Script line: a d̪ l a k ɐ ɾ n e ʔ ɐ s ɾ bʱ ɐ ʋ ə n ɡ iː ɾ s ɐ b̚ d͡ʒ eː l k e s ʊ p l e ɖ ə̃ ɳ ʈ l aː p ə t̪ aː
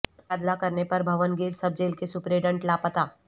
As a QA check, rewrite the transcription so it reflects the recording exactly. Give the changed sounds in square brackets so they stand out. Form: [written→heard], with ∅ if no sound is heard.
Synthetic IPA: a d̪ l a k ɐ ɾ n e [ʔ→p] ɐ [s→∅] ɾ bʱ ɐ ʋ ə n ɡ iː ɾ s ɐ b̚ d͡ʒ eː l k e s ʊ p [l→ɾ] e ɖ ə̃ ɳ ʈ l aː p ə t̪ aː